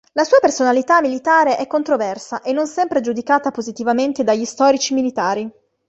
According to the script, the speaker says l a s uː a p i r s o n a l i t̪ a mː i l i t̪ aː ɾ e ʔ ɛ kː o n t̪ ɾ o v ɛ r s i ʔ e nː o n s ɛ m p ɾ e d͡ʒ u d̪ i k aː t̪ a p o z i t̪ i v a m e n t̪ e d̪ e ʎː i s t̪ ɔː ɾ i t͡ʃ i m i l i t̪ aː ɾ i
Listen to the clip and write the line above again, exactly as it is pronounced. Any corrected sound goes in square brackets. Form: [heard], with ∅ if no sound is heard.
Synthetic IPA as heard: l a s uː a p [e] r s o n a l i t̪ a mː i l i t̪ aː ɾ e ʔ ɛ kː o n t̪ ɾ o v ɛ r s [a] ʔ e nː o n s ɛ m p ɾ e d͡ʒ u d̪ i k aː t̪ a p o z i t̪ i v a m e n t̪ e d̪ [a] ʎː i s t̪ ɔː ɾ i t͡ʃ i m i l i t̪ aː ɾ i